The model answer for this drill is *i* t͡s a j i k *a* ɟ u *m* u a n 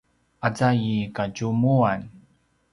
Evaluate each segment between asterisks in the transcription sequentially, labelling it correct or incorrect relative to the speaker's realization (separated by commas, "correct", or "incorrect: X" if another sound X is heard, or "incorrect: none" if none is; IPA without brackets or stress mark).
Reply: incorrect: a, correct, correct